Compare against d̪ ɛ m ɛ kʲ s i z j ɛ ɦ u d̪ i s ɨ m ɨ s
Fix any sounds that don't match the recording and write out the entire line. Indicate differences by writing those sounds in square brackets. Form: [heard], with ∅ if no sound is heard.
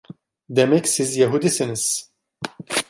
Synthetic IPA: d̪ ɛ m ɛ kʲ s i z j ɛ ɦ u d̪ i s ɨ [n] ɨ s